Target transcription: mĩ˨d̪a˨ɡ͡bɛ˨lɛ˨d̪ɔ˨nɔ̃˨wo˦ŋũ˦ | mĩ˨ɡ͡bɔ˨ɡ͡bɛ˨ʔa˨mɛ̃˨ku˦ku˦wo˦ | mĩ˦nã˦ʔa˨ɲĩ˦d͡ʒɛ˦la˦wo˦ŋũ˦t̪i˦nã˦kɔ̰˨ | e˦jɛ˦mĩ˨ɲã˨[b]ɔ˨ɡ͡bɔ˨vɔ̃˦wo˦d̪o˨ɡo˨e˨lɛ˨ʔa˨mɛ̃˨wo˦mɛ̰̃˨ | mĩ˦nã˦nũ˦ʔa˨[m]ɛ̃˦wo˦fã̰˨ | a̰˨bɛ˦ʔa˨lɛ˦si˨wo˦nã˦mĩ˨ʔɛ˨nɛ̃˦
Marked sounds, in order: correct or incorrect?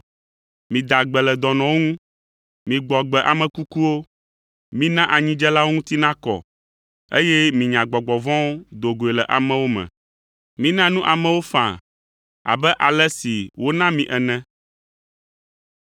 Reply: incorrect, correct

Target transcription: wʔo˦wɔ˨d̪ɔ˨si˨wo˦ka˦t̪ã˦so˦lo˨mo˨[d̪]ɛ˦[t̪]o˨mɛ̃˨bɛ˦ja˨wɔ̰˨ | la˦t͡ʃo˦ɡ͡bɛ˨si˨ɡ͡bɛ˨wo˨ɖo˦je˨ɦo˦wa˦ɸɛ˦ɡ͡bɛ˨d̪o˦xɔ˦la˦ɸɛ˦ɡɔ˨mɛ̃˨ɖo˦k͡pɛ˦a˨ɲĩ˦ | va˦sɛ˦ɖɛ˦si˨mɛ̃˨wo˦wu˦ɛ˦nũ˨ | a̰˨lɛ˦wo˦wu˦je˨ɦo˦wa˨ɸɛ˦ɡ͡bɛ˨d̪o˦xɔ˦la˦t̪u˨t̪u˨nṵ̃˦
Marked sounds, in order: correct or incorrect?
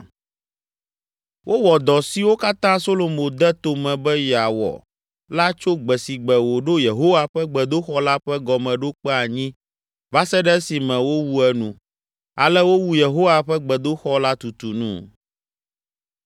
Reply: correct, correct

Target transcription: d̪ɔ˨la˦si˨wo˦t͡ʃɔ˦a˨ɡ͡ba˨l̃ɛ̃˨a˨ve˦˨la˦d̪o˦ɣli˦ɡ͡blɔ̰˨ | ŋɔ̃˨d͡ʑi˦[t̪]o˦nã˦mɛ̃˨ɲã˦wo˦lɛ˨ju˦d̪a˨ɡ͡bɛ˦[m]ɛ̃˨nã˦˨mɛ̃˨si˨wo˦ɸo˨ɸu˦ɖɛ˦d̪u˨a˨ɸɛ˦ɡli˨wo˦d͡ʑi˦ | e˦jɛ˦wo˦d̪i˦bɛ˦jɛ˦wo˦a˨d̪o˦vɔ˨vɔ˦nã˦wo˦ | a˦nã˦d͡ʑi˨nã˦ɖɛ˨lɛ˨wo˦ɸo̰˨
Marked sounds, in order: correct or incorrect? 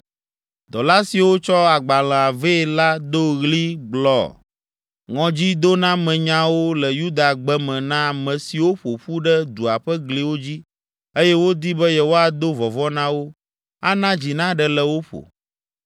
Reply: incorrect, correct

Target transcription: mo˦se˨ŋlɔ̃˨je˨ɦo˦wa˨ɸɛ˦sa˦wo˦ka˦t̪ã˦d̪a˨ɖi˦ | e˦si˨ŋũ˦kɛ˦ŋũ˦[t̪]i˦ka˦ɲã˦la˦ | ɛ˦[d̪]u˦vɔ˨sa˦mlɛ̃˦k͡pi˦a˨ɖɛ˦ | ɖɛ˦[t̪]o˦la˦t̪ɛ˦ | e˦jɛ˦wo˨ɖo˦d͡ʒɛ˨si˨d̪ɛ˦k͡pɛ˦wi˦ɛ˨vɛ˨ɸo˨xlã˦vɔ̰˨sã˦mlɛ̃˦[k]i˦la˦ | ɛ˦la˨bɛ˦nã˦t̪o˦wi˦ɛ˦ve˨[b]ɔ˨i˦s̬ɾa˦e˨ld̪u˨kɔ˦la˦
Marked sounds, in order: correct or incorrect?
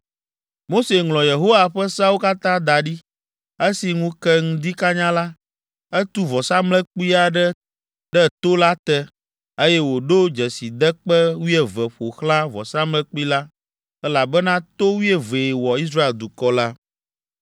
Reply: incorrect, incorrect, correct, incorrect, incorrect

